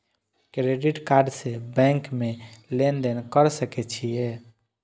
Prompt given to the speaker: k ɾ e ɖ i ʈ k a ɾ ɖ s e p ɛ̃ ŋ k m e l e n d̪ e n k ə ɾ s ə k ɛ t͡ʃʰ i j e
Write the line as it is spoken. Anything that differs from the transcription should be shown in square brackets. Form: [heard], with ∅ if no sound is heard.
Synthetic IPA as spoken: k ɾ e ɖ i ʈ k a ɾ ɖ s e [b] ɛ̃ ŋ k m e l e n d̪ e n k ə ɾ s ə k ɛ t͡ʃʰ i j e